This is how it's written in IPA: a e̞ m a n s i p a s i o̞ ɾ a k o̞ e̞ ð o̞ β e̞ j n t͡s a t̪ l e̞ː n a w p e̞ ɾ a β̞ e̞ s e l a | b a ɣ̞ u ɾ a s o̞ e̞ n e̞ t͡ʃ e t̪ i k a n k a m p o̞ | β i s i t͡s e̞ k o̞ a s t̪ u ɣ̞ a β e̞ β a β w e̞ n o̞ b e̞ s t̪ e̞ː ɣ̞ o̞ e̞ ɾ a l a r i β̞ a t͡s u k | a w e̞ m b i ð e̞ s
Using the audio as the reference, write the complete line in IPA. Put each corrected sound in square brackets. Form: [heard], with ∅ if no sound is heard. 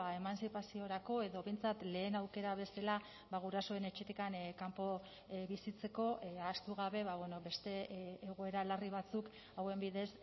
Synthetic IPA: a e̞ m a n s i p a s i o̞ ɾ a k o̞ e̞ ð o̞ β e̞ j n t͡s a t̪ l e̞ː n a w [k] e̞ ɾ a β̞ e̞ s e l a | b a ɣ̞ u ɾ a s o̞ e̞ n e̞ t͡ʃ e t̪ i k a n k a m p o̞ | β i s i t͡s e̞ k o̞ a s t̪ u ɣ̞ a β e̞ β a β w e̞ n o̞ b e̞ s t̪ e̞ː ɣ̞ o̞ e̞ ɾ a l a r i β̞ a t͡s u k | a w e̞ m b i ð e̞ s